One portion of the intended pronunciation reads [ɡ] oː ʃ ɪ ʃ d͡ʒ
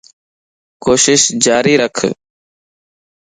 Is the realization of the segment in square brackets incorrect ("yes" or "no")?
yes